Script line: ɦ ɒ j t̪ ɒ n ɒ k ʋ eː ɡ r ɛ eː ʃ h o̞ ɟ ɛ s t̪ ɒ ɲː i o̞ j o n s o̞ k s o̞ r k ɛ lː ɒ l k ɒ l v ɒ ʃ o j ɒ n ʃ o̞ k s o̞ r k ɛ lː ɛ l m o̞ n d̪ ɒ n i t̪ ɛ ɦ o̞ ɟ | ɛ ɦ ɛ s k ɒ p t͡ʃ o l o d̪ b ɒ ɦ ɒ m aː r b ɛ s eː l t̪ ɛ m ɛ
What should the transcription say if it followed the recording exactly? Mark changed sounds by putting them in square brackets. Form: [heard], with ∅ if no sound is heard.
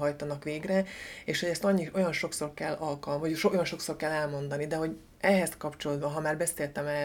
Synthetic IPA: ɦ ɒ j t̪ ɒ n ɒ k ʋ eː ɡ r ɛ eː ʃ h o̞ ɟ ɛ s t̪ ɒ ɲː i o̞ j [ɒ] n [ʃ] o̞ k s o̞ r k ɛ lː ɒ l k ɒ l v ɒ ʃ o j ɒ n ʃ o̞ k s o̞ r k ɛ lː ɛ l m o̞ n d̪ ɒ n i [d̪] ɛ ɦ o̞ ɟ | ɛ ɦ ɛ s k ɒ p t͡ʃ o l o d̪ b ɒ ɦ ɒ m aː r b ɛ s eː l t̪ ɛ m ɛ